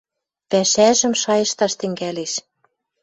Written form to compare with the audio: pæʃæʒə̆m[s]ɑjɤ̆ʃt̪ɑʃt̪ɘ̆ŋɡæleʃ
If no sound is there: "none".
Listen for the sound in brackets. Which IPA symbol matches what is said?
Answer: ʃ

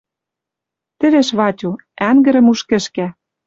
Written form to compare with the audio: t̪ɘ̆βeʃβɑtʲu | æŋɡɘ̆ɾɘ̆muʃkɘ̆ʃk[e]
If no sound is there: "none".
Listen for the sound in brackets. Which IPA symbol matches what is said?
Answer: æ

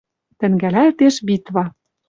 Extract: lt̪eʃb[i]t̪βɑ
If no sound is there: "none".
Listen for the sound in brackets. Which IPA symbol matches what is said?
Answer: i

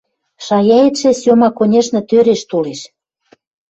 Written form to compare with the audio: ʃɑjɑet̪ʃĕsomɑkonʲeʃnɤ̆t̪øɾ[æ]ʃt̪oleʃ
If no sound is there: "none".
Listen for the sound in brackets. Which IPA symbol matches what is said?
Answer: e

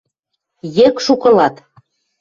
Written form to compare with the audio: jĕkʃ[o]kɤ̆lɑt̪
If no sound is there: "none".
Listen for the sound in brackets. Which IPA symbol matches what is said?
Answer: u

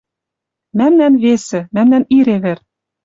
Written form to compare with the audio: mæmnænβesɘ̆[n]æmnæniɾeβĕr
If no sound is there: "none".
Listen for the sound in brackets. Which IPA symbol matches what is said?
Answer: m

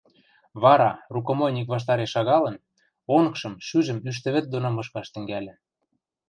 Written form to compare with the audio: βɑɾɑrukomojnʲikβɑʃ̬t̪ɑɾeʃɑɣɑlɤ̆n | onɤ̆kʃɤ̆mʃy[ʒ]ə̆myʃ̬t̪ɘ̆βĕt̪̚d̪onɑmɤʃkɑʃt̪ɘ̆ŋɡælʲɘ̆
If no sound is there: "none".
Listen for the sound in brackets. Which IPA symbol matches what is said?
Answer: ʒ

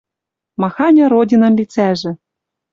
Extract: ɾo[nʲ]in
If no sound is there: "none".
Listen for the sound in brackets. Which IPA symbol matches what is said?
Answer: dʲ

